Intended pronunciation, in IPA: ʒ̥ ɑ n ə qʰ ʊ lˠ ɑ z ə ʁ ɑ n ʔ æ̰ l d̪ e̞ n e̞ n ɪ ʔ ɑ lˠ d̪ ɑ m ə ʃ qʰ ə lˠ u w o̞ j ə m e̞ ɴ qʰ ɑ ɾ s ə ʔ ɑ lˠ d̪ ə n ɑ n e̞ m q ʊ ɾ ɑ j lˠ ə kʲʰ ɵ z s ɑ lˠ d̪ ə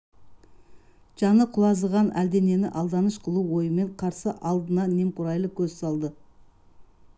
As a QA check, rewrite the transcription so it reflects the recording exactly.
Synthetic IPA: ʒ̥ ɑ n ə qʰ ʊ lˠ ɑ z ə ʁ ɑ n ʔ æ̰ l d̪ e̞ n e̞ n ɪ ʔ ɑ lˠ d̪ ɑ n ə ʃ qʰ ə lˠ u w o̞ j ə m e̞ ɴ qʰ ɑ ɾ s ə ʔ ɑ lˠ d̪ ə n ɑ n e̞ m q ʊ ɾ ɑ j lˠ ə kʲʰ ɵ z s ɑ lˠ d̪ ə